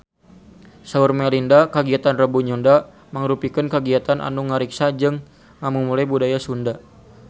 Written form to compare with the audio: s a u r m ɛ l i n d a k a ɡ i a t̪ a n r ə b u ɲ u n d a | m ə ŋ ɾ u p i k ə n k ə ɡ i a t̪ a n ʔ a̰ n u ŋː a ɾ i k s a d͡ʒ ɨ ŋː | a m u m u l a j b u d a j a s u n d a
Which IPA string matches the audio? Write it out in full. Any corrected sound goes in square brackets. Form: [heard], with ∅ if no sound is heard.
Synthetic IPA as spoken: s a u r m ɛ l i n d a k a ɡ i a t̪ a n r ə b u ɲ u n d a | m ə ŋ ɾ u p i k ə n k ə ɡ i a t̪ a n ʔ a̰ n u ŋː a ɾ i k s a d͡ʒ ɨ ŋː | a m u m u l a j b u d a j a s u n d a